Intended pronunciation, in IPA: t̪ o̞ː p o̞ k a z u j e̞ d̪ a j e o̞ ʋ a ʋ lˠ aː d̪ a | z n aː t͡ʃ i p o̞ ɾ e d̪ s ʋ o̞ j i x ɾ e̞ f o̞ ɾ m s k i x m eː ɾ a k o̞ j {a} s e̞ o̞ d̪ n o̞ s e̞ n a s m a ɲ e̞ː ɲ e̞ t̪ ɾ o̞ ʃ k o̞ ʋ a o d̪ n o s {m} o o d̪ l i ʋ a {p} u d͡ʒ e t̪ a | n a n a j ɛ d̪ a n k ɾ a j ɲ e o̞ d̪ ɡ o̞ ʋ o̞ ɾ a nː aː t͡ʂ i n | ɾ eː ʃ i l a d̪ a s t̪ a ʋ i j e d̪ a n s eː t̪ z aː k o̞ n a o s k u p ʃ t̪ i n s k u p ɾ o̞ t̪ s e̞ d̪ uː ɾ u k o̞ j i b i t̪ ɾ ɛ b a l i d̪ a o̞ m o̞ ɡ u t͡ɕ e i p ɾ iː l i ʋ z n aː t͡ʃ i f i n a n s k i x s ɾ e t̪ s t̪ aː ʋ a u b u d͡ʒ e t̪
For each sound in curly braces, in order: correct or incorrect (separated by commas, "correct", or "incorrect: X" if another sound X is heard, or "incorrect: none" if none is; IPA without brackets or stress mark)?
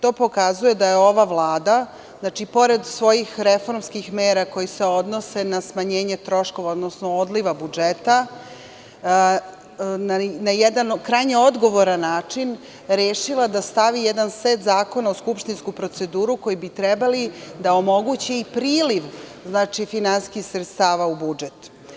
incorrect: i, incorrect: n, incorrect: b